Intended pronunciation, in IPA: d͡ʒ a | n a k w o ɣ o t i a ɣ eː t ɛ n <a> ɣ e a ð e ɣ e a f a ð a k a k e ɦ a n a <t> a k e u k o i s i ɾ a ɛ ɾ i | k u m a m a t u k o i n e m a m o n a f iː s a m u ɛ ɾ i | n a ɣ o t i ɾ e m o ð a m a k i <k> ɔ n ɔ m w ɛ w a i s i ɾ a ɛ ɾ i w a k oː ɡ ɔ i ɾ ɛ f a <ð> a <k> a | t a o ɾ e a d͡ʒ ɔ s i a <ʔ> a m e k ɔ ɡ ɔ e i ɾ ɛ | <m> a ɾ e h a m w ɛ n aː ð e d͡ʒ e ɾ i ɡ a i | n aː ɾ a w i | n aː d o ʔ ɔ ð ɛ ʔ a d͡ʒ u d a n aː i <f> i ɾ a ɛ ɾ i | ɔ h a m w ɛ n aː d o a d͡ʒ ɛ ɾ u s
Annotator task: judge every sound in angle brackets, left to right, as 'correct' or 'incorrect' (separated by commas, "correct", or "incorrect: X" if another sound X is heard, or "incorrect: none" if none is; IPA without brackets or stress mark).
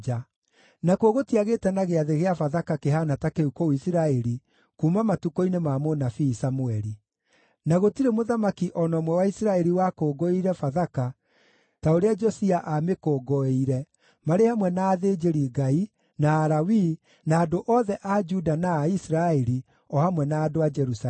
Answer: correct, correct, incorrect: ʔ, correct, correct, correct, correct, incorrect: s